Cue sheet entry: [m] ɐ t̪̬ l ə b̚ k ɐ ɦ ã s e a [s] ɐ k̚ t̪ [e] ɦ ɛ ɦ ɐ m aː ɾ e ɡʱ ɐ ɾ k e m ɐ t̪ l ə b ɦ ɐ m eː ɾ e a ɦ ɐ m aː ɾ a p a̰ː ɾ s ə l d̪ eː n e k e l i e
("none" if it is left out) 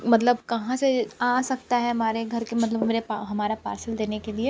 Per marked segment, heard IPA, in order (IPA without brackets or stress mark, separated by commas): m, s, a